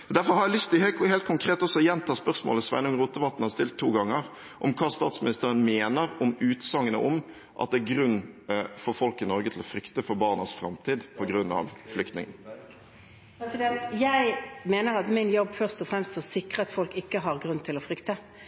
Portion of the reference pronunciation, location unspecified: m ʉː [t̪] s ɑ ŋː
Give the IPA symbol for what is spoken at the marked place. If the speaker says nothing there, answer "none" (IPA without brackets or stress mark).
t̪